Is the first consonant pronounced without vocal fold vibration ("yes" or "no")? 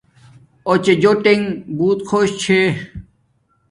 yes